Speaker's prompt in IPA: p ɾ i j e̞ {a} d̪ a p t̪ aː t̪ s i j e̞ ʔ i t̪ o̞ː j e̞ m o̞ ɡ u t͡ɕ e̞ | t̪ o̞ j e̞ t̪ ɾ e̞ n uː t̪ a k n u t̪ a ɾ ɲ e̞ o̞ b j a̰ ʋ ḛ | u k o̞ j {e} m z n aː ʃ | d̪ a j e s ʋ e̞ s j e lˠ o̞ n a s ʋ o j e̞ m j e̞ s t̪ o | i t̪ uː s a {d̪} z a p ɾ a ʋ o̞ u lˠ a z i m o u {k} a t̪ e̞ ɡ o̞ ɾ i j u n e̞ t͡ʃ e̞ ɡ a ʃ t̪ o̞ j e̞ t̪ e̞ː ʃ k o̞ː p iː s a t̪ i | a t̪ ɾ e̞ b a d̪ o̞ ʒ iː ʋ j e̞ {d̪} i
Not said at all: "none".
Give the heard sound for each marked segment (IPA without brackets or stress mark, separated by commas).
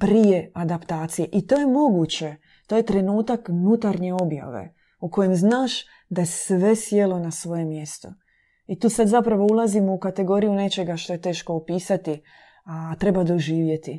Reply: a, e, d̪, k, t̪